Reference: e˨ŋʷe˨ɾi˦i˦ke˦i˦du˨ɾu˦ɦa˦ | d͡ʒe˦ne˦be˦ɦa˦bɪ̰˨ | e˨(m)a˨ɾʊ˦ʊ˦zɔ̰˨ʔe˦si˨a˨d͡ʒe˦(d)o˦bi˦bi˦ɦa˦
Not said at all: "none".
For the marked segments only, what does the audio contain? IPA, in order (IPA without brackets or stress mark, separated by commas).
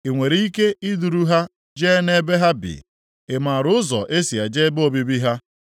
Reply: m, b